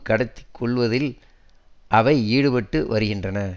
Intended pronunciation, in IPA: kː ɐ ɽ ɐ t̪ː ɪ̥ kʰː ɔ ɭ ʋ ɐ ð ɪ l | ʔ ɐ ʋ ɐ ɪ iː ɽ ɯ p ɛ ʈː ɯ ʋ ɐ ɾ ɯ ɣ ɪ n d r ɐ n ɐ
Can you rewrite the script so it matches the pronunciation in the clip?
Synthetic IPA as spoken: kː ɐ ɽ ɐ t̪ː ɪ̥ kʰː ɔ ɭ ʋ ɐ ð ɪ l | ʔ ɐ ʋ ɐ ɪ iː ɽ ɯ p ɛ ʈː ɯ ʋ ɐ ɾ ɯ ɣ ɪ n d r ɐ n ɐ